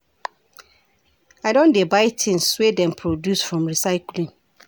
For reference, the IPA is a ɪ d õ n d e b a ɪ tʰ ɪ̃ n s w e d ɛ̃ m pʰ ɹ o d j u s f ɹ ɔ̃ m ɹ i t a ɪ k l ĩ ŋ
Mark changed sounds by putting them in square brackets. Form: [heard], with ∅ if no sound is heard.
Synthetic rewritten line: a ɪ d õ n d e b a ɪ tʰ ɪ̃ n s w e d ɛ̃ m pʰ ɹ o d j u s f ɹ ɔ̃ m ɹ i [s] a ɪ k l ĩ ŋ